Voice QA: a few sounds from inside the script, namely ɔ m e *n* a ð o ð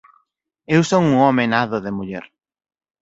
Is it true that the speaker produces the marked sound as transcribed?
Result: yes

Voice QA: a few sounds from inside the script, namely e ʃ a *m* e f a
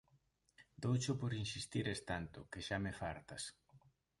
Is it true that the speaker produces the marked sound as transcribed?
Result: yes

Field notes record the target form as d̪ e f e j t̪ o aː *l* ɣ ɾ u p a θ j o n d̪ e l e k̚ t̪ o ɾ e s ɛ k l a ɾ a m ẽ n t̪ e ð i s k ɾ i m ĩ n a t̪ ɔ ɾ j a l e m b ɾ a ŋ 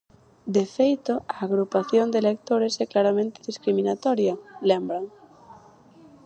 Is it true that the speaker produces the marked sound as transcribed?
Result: no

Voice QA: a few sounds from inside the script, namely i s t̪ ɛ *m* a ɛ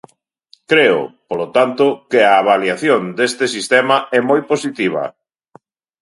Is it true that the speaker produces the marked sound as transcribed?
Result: yes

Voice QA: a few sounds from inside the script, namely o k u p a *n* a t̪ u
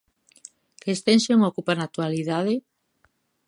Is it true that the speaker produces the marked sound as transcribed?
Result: yes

